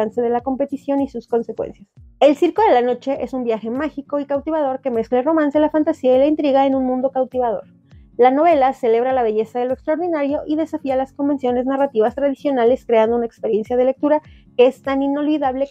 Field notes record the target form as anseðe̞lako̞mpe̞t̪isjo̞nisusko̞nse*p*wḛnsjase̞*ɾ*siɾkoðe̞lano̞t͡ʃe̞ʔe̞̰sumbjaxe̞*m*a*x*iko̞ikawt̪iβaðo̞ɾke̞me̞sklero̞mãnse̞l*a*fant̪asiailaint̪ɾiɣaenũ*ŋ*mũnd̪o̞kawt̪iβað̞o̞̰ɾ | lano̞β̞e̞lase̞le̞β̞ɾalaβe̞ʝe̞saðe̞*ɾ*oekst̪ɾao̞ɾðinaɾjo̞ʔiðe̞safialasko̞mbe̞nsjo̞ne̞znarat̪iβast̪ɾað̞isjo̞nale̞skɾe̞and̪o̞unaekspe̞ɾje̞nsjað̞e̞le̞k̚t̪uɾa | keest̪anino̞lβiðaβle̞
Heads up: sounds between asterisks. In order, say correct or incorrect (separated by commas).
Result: incorrect, incorrect, correct, correct, correct, incorrect, incorrect